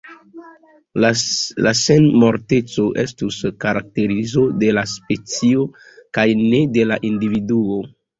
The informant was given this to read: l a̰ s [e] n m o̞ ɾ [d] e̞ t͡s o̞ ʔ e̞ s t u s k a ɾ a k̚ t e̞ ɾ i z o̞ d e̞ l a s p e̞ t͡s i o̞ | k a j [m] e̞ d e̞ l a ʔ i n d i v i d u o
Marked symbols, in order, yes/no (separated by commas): yes, no, no